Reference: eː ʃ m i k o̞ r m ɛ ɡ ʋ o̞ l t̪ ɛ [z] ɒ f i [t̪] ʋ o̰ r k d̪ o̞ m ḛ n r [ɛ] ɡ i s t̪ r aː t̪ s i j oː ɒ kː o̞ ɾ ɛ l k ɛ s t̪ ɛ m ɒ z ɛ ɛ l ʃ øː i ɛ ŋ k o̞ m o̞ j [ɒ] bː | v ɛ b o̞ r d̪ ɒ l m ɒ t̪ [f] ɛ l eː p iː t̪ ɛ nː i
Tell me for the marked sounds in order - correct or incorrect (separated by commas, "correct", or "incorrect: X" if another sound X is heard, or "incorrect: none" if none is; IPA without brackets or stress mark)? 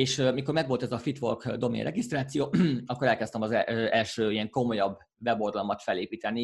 correct, correct, correct, correct, correct